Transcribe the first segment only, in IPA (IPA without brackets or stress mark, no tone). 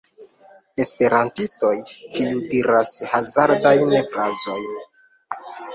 e̞